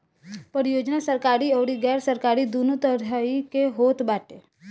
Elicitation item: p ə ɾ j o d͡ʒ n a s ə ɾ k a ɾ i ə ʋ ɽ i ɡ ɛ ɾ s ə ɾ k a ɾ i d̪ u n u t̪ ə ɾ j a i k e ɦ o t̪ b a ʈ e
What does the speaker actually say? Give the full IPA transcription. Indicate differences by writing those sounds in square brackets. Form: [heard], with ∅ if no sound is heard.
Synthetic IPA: p ə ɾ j o d͡ʒ n a s ə ɾ k a ɾ i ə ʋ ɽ i ɡ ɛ ɾ s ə ɾ k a ɾ i d̪ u n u t̪ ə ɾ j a i k e ɦ o t̪ b a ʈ e

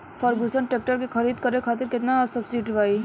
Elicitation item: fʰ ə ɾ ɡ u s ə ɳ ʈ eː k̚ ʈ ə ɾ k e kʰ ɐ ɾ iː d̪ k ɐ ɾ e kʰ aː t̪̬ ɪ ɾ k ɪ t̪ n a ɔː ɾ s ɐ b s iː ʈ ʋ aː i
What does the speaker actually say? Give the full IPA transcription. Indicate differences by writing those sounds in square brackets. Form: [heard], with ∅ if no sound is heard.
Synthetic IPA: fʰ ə ɾ ɡ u s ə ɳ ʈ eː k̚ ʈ ə ɾ k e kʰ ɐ ɾ iː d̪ k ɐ ɾ e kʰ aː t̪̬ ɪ ɾ k ɪ t̪ n a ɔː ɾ s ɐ b s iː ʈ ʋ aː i

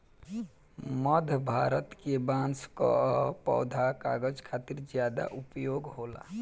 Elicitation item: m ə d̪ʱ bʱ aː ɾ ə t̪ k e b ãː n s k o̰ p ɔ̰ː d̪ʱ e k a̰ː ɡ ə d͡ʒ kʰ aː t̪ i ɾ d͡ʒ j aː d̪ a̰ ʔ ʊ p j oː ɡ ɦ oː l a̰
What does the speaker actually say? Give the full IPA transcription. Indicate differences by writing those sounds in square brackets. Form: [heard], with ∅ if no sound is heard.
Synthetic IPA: m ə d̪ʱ bʱ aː ɾ ə t̪ k e b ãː n s k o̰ p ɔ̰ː d̪ʱ [a] k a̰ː ɡ ə d͡ʒ kʰ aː t̪ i ɾ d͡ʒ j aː d̪ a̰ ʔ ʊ p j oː ɡ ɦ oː l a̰

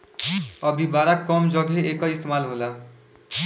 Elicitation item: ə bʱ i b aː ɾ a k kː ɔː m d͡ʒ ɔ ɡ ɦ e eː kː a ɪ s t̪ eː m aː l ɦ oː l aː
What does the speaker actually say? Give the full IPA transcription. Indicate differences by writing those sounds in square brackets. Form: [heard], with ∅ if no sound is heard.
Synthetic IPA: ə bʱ i b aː ɾ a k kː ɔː m d͡ʒ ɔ ɡ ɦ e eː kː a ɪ s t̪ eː m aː l ɦ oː l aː

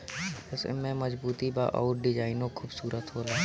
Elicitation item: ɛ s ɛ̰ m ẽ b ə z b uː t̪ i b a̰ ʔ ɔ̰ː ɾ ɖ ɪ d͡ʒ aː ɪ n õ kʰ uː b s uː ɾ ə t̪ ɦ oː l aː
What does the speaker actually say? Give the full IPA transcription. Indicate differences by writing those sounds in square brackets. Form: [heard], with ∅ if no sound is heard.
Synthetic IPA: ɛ s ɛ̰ m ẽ [m] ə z b uː t̪ i b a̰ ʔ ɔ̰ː ɾ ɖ ɪ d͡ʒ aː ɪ n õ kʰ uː b s uː ɾ ə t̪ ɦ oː l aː

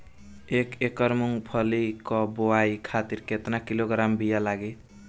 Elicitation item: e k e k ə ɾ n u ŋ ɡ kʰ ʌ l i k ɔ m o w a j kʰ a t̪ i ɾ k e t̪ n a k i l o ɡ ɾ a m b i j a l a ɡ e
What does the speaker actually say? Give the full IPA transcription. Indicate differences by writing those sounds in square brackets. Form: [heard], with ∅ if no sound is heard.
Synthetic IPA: e k e k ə ɾ [m] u ŋ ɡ [pʰ] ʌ l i k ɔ [b] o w a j kʰ a t̪ i ɾ k e t̪ n a k i l o ɡ ɾ a m b i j a l a ɡ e

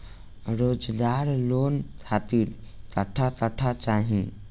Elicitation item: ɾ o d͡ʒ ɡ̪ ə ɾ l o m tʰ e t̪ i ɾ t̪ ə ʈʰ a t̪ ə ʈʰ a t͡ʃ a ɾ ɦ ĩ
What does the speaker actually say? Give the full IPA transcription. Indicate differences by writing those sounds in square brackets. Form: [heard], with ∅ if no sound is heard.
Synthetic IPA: ɾ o d͡ʒ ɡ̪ [a] ɾ l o [n] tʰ [a] t̪ i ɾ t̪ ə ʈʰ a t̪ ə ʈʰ a t͡ʃ a [∅] ɦ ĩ

